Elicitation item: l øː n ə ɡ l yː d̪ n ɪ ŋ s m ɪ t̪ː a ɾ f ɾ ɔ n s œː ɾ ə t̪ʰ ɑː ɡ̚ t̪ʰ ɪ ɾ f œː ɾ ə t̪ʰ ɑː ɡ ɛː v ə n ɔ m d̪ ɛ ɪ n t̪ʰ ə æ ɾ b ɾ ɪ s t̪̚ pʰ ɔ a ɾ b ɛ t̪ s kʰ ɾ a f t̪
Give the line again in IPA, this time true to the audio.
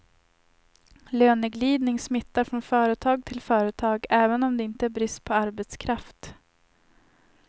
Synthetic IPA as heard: l øː n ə ɡ l iː d̪ n ɪ ŋ s m ɪ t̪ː a ɾ f ɾ ɔ n f œː ɾ ə t̪ʰ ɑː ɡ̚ t̪ʰ ɪ l f œː ɾ ə t̪ʰ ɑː ɡ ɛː v ə n ɔ m d̪ ɛ ɪ n t̪ ə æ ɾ b ɾ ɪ s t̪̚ pʰ ɔ a ɾ b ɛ t̪ s kʰ ɾ a f t̪